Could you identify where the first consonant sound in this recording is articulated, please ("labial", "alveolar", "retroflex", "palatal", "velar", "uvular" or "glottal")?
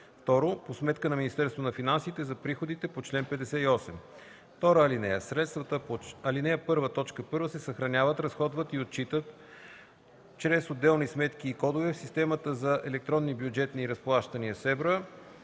labial